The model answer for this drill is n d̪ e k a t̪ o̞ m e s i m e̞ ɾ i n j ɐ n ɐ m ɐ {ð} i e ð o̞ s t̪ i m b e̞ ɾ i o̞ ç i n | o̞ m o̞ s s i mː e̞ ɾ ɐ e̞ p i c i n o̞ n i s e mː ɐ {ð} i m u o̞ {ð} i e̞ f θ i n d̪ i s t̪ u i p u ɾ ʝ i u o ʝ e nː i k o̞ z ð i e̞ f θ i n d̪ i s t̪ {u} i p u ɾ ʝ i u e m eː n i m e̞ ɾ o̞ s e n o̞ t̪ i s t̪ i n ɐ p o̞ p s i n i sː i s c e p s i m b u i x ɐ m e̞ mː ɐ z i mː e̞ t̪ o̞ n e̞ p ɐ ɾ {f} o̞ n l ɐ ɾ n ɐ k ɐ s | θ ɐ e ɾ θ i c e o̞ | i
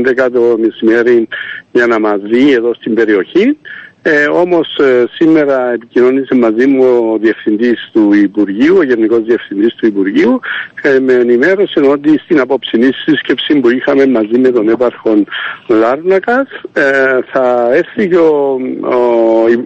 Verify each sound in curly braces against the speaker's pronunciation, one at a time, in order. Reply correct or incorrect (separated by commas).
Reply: incorrect, incorrect, correct, correct, incorrect